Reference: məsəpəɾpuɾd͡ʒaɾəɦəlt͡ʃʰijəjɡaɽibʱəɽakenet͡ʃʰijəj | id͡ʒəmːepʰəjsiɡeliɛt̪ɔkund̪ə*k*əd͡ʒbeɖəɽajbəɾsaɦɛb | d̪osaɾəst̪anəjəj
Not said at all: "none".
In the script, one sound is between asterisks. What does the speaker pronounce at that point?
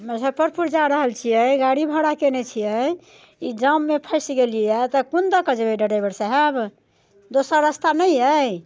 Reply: k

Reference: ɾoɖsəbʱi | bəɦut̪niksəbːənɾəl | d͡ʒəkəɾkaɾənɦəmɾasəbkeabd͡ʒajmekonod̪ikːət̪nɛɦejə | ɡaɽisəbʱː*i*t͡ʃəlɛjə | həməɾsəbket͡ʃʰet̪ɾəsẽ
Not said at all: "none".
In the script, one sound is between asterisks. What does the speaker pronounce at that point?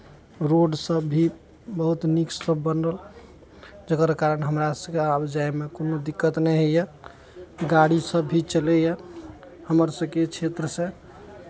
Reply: i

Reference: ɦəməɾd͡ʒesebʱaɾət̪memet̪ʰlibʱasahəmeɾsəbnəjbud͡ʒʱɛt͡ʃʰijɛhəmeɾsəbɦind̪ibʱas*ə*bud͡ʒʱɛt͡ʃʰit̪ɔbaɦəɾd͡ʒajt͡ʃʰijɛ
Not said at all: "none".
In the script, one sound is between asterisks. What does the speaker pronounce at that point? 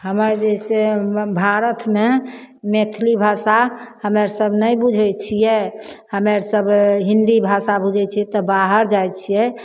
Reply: a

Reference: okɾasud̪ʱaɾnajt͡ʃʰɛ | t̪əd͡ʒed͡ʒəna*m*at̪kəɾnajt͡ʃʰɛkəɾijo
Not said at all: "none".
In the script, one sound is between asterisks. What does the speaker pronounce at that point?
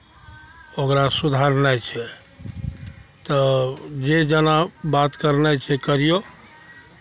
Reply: b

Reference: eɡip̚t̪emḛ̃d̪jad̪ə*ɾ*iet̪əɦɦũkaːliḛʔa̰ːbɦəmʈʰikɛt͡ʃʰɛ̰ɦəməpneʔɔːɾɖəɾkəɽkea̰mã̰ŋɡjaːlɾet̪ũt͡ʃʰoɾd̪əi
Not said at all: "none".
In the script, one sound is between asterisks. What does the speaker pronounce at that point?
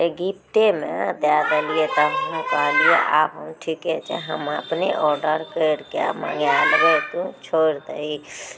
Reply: l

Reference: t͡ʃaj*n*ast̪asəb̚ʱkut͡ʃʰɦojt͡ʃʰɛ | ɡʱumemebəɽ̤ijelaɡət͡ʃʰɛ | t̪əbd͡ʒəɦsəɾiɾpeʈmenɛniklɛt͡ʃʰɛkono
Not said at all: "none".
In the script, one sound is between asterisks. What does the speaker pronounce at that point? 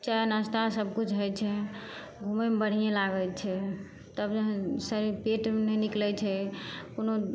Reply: n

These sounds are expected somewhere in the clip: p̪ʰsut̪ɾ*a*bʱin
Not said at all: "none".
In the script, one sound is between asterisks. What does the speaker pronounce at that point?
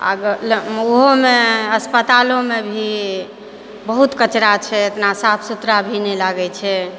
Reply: a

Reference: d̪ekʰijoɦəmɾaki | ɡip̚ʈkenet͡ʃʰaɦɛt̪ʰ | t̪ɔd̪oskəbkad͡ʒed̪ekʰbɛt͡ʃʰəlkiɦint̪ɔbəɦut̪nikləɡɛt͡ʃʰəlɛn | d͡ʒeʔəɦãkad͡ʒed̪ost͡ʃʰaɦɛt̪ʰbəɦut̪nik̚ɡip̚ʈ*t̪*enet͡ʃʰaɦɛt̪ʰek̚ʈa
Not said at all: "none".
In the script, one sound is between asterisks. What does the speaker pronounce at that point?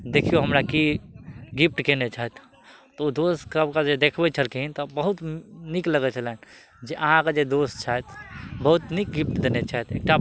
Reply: d̪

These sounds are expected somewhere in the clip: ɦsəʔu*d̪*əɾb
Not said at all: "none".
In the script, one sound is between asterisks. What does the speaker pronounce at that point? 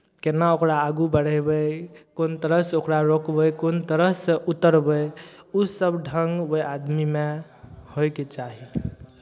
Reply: t̪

